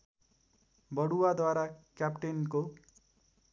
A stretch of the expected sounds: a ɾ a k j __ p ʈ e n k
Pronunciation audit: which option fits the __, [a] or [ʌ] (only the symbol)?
a